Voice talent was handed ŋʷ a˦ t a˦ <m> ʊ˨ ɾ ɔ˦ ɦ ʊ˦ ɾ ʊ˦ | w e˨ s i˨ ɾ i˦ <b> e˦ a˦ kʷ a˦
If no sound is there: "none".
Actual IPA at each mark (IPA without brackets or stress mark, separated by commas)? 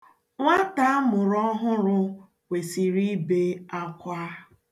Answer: m, b